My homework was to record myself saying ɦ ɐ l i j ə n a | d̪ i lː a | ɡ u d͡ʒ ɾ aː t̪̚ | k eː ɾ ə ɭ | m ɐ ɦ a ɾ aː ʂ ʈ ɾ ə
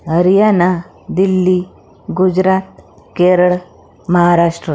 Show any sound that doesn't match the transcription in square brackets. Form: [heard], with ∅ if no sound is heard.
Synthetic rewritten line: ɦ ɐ [ɾ] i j [a] n a | d̪ i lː [i] | ɡ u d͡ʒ ɾ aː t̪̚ | k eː ɾ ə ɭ | m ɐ ɦ a ɾ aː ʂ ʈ ɾ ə